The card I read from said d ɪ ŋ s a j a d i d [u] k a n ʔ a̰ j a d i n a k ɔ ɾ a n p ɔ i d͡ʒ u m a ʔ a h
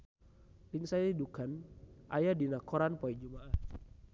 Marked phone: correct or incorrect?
correct